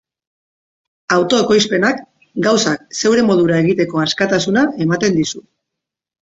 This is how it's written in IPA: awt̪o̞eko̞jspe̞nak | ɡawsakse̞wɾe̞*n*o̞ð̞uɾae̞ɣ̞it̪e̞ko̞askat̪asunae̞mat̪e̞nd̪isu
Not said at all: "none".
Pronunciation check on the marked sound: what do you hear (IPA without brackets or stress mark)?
m